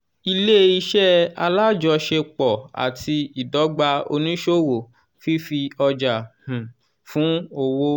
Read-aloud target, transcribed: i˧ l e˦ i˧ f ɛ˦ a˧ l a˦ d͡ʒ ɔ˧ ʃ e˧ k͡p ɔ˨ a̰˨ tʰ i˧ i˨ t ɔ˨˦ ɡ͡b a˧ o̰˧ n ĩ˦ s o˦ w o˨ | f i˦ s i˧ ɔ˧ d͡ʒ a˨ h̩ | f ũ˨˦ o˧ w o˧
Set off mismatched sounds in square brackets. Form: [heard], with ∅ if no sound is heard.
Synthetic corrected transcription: i˧ l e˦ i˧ [ʃ] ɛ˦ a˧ l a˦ d͡ʒ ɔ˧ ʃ e˧ k͡p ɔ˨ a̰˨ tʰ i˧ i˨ [d] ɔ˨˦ ɡ͡b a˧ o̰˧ n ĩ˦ [ʃ] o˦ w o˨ | f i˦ [f] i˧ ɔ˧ d͡ʒ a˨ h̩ | f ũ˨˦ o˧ w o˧

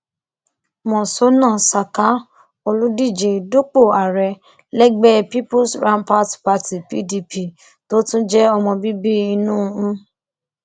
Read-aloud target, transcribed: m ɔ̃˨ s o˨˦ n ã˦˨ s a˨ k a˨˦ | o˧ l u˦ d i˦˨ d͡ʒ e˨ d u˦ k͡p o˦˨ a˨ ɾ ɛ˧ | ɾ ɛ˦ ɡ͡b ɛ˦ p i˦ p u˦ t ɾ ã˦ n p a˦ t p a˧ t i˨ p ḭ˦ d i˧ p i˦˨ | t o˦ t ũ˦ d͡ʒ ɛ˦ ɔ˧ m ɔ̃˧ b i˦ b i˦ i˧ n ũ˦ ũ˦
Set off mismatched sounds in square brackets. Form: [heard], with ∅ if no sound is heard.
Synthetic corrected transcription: m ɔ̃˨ s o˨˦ n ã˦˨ s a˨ k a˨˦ | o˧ l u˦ d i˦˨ d͡ʒ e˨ d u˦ k͡p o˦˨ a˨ ɾ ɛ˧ | [l] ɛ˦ ɡ͡b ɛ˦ p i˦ p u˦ [s] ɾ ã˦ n p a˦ t p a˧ t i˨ p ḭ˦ d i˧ p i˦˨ | t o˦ t ũ˦ d͡ʒ ɛ˦ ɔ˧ m ɔ̃˧ b i˦ b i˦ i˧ n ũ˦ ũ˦

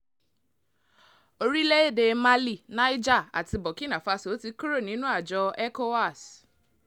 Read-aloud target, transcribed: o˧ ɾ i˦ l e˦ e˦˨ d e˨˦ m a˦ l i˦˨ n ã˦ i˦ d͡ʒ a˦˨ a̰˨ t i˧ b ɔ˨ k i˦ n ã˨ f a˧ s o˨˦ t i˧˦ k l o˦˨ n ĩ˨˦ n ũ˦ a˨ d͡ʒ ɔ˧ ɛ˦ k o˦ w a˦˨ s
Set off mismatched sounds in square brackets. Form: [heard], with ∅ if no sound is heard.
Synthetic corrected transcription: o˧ ɾ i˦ l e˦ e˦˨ d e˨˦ m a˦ l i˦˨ n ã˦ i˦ d͡ʒ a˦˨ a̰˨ t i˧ b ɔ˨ k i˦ n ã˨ f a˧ s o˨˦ t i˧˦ k [ɾ] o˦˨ n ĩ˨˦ n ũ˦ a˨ d͡ʒ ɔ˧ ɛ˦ k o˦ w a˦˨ s

